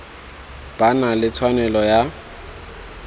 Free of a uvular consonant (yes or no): yes